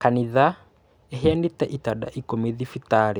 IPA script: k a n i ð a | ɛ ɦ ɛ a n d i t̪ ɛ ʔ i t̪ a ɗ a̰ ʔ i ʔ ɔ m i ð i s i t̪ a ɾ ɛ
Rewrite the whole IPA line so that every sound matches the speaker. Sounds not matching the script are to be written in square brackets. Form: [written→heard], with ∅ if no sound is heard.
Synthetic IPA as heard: k a n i ð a | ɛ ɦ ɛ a n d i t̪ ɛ ʔ i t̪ a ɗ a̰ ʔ i [ʔ→k] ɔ m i ð i [s→f] i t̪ a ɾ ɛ

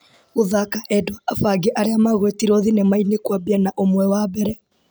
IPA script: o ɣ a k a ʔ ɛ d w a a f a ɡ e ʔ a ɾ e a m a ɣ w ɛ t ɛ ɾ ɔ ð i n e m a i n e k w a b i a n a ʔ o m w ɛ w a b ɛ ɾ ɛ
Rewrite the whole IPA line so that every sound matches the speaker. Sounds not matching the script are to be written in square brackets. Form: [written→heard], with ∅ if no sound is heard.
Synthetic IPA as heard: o [ɣ→ð] a k a ʔ ɛ d w a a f a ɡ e ʔ a ɾ e a m a ɣ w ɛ t [ɛ→i] ɾ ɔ ð i n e m a i n e k w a b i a n a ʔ o m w ɛ w a b ɛ ɾ ɛ

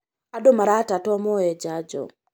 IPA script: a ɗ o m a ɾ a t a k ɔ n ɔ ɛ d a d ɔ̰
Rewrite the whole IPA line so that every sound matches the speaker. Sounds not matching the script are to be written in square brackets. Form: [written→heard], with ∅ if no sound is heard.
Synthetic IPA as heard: a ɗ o m a ɾ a t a [k→t] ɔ [n→m] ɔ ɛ [d→d͡ʒ] a [d→d͡ʒ] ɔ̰

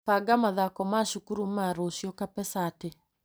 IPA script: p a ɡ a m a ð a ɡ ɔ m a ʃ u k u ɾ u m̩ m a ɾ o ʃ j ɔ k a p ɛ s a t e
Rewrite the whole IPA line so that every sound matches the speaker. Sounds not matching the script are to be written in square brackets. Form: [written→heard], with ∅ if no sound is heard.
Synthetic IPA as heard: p a ɡ a m a ð a [ɡ→k] ɔ m a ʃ u k u ɾ u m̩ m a ɾ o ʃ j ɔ k a p ɛ s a t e

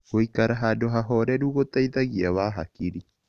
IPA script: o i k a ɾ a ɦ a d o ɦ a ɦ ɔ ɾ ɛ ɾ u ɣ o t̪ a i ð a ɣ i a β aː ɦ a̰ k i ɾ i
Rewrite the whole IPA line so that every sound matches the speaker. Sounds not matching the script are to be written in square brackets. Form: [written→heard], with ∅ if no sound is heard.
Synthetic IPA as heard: o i k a ɾ a ɦ a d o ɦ a ɦ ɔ ɾ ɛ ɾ u ɣ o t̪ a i ð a ɣ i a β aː ɦ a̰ k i ɾ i

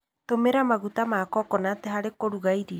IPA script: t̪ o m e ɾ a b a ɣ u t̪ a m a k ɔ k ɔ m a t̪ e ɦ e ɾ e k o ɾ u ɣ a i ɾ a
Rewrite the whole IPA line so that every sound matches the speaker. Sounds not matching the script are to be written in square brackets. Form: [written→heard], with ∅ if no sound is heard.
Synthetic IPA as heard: t̪ o m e ɾ a [b→m] a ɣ u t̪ a m a k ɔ k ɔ [m→n] a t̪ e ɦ [e→a] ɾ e k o ɾ u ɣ a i ɾ [a→i]

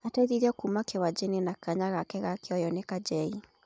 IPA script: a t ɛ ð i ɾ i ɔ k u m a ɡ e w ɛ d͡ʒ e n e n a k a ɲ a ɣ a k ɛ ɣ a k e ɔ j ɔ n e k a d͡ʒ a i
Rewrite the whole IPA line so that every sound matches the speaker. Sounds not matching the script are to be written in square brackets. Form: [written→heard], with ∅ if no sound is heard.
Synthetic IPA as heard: a t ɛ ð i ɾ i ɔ k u m a [ɡ→k] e w [ɛ→a] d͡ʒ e n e n a k a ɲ a ɣ a k ɛ ɣ a k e ɔ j ɔ n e k a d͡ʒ [a→ɛ] i

